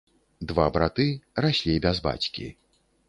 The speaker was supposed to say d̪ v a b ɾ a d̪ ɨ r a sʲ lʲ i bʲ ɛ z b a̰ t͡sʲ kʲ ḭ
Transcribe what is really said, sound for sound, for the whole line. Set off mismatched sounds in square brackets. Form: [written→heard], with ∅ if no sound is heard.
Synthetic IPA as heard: d̪ v a b ɾ a [d̪→t̪] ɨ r a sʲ lʲ i bʲ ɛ z b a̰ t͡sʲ kʲ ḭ